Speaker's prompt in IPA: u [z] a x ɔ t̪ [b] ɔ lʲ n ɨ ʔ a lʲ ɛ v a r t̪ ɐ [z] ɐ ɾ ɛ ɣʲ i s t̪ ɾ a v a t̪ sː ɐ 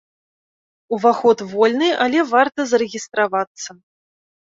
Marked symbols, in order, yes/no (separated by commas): no, no, yes